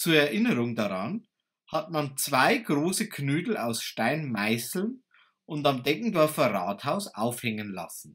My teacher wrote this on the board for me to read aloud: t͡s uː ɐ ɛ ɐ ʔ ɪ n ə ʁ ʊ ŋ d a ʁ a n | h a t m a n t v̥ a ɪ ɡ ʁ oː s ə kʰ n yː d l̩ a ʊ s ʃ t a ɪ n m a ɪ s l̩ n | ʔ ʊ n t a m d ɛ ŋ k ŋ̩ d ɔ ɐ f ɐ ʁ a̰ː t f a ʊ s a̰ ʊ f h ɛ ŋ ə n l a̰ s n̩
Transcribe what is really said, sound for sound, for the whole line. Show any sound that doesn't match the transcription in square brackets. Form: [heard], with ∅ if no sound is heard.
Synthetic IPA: t͡s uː ɐ ɛ ɐ ʔ ɪ n ə ʁ ʊ ŋ d a ʁ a n | h a t m a n [t͡s] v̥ a ɪ ɡ ʁ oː s ə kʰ n yː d l̩ a ʊ s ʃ t a ɪ n m a ɪ s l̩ n | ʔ ʊ n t a m d ɛ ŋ k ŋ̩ d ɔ ɐ f ɐ ʁ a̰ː t [h] a ʊ s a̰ ʊ f h ɛ ŋ ə n l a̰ s n̩

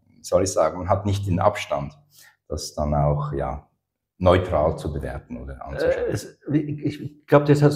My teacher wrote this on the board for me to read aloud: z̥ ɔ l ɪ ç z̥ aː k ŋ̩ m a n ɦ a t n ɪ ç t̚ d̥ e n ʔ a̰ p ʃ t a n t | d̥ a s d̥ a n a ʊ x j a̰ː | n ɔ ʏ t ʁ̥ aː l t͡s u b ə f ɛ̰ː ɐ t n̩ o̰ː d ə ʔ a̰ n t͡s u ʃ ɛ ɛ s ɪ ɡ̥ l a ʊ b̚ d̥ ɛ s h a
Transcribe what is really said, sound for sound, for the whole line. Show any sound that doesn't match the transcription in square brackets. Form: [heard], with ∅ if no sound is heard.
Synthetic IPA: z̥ ɔ l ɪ ç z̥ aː [ɡ] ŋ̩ m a n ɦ a t n ɪ ç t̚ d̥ e n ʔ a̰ p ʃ t a n t | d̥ a s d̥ a n a ʊ x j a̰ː | n ɔ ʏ t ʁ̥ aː l t͡s u b ə [v] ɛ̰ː ɐ t n̩ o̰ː d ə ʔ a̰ n t͡s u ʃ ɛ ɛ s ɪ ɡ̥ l a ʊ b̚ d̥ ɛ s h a

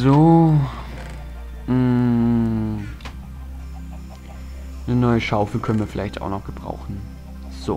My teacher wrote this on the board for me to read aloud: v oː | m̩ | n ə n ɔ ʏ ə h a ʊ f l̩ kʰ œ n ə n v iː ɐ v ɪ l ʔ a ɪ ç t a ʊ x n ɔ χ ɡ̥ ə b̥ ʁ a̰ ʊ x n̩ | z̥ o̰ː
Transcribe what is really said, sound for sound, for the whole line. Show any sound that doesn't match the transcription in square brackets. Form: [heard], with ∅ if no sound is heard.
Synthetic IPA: [z] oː | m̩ | n ə n ɔ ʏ ə [ʃ] a ʊ f l̩ kʰ œ n ə n v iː ɐ [f] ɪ l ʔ a ɪ ç t a ʊ x n ɔ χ ɡ̥ ə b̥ ʁ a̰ ʊ x n̩ | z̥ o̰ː

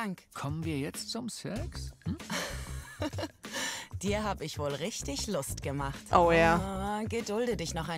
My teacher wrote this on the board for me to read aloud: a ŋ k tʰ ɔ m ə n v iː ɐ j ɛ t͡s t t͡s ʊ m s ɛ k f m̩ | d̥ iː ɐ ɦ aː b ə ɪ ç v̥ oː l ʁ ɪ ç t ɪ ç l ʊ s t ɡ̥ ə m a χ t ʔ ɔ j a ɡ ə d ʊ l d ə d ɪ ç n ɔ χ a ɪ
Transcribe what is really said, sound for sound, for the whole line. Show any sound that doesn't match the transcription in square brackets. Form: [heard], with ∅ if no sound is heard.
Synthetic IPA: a ŋ k [kʰ] ɔ m ə n v iː ɐ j ɛ t͡s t t͡s ʊ m s ɛ k [s] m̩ | d̥ iː ɐ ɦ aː b ə ɪ ç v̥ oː l ʁ ɪ ç t ɪ ç l ʊ s t ɡ̥ ə m a χ t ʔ [o] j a ɡ ə d ʊ l d ə d ɪ ç n ɔ χ a ɪ

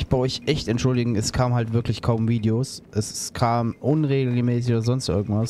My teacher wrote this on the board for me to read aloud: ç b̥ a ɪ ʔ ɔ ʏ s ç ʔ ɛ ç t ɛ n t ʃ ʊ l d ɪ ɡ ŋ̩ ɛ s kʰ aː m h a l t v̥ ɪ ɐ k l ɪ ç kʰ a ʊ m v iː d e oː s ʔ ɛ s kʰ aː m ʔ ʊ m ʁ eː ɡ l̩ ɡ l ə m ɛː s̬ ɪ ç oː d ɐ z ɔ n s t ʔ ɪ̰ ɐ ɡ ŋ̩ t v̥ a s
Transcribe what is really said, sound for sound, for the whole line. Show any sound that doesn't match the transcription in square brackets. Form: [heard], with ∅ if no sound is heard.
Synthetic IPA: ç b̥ a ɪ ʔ ɔ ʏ [∅] ç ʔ ɛ ç t ɛ n t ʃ ʊ l d ɪ ɡ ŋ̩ ɛ s kʰ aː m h a l t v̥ ɪ ɐ k l ɪ ç kʰ a ʊ m v iː d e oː s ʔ ɛ s kʰ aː m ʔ ʊ [n] ʁ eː ɡ l̩ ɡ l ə m ɛː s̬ ɪ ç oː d ɐ z ɔ n s t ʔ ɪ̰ ɐ ɡ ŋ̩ t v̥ a s

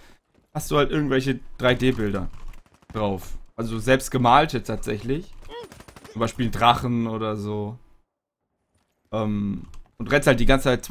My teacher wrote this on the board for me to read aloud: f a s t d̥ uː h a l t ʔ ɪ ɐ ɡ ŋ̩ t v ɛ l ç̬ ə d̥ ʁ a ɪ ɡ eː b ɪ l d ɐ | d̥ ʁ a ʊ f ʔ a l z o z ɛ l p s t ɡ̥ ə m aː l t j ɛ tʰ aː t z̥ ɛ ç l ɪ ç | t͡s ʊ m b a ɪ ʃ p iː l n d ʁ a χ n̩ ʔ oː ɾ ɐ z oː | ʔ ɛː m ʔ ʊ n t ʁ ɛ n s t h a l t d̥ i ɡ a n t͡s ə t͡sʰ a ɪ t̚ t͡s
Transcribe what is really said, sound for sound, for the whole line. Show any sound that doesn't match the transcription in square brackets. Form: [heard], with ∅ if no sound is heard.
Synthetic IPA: [h] a s t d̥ uː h a l t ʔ ɪ ɐ ɡ ŋ̩ t v ɛ l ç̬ ə d̥ ʁ a ɪ [d] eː b ɪ l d ɐ | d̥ ʁ a ʊ f ʔ a l z o z ɛ l p s t ɡ̥ ə m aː l t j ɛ tʰ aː t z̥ ɛ ç l ɪ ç | t͡s ʊ m b a ɪ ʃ p iː l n d ʁ a χ n̩ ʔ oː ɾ ɐ z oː | ʔ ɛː m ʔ ʊ n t ʁ ɛ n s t h a l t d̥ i ɡ a n t͡s ə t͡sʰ a ɪ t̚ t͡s

